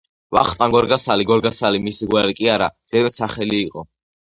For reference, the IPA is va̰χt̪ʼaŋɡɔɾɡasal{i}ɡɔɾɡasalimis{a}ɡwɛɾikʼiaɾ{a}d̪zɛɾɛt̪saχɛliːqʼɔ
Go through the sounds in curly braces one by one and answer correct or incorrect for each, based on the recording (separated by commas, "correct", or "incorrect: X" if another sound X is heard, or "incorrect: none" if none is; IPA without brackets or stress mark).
correct, incorrect: i, correct